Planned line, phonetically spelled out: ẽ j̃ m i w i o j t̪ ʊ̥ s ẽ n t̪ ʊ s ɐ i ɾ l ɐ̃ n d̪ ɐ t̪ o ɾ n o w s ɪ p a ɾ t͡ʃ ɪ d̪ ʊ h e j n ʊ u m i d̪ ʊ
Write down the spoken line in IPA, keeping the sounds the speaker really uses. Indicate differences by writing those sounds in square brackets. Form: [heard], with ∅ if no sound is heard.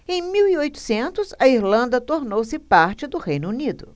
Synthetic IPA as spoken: ẽ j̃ m i w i o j t̪ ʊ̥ s ẽ n t̪ ʊ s ɐ i ɾ l ɐ̃ n d̪ ɐ t̪ o ɾ n o w s ɪ p a ɾ t͡ʃ ɪ d̪ ʊ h e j n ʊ u [n] i d̪ ʊ